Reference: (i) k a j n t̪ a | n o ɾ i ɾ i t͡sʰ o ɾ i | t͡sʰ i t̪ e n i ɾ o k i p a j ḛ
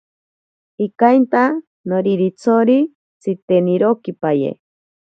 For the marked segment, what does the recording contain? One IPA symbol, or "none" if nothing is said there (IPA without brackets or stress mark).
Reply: i